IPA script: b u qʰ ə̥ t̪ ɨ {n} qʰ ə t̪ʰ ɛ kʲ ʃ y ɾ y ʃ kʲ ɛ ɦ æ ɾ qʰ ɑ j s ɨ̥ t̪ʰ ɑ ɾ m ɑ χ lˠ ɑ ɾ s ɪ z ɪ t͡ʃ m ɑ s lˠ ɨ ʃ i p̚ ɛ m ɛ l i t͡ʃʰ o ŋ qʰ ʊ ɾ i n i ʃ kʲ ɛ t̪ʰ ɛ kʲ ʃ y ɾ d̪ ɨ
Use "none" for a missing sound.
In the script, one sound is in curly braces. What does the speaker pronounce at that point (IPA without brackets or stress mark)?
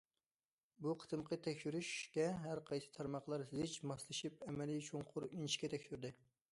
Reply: m